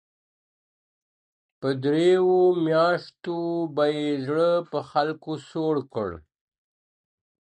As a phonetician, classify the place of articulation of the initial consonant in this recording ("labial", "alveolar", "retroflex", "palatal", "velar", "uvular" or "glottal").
labial